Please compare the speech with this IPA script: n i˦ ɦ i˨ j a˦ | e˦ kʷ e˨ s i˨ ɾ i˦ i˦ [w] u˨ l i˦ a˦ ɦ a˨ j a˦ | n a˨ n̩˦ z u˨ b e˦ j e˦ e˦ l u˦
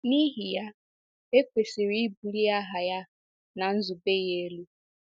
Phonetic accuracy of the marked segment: incorrect: b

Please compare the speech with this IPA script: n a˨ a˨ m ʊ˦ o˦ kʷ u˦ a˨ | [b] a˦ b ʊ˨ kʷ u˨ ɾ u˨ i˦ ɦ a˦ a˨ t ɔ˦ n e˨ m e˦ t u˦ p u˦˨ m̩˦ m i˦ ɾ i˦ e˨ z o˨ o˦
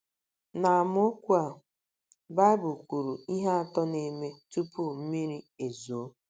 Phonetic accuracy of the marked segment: correct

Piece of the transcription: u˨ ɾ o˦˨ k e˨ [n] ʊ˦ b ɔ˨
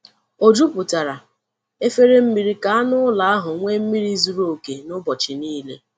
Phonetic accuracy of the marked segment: correct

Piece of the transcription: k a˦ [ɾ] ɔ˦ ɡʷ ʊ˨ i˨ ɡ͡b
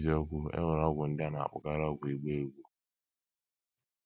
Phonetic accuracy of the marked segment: correct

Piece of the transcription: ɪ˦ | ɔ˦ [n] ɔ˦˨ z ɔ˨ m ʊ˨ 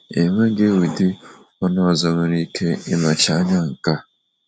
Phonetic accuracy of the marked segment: correct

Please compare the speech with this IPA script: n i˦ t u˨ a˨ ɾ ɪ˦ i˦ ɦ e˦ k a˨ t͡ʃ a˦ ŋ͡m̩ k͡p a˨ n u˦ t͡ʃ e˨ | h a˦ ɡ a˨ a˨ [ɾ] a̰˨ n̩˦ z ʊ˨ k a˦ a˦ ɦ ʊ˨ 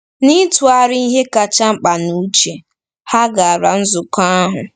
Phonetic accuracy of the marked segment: correct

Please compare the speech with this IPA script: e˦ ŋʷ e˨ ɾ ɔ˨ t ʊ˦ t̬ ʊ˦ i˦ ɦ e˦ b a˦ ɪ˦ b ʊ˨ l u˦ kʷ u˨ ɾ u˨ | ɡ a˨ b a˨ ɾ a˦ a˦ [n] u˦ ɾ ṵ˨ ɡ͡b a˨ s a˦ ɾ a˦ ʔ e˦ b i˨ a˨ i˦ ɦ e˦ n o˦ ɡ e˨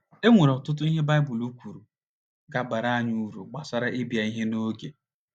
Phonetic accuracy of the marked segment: incorrect: ɲ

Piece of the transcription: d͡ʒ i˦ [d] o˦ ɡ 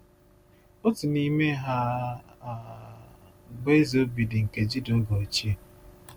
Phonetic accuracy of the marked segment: correct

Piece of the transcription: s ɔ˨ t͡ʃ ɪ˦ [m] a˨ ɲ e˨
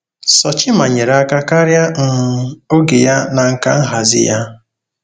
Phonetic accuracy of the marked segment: correct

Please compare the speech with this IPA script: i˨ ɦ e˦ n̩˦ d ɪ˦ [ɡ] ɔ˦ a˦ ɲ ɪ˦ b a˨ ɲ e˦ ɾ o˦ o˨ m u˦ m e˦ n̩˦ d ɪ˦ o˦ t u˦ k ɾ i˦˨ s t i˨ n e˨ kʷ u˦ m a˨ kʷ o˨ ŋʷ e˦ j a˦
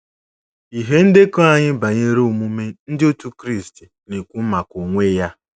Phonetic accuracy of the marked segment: incorrect: k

